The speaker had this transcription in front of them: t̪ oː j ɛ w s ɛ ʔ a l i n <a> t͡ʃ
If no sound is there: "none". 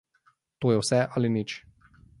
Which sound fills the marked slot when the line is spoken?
i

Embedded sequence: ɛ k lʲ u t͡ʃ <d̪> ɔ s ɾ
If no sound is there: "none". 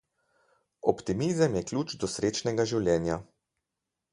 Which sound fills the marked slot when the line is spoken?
d̪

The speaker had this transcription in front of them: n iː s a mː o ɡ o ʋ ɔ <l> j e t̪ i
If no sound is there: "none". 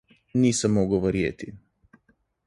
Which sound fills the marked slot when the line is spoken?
ɾ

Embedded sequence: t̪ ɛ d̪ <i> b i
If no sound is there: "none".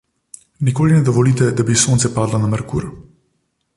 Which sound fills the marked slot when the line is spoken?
a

